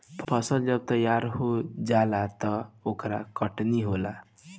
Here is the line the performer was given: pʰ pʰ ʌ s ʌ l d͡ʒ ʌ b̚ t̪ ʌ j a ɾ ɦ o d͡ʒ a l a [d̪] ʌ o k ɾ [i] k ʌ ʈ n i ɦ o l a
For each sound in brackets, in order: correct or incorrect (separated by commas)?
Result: incorrect, incorrect